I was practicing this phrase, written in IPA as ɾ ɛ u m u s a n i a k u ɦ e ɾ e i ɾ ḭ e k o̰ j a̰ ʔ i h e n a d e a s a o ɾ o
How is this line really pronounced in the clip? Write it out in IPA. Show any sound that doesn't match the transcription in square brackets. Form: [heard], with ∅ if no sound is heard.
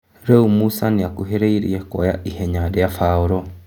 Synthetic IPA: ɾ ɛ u m u s a n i a k u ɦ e ɾ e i ɾ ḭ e k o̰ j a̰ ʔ i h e [ɲ] a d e a [f] a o ɾ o